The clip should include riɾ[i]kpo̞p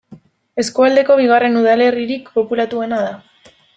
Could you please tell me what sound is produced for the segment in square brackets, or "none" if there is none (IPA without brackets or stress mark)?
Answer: i